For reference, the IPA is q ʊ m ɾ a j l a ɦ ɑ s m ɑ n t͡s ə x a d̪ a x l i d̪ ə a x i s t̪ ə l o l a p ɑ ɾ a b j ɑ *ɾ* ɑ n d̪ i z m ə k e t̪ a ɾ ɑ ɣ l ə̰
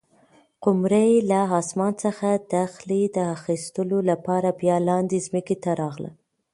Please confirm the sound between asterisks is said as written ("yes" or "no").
no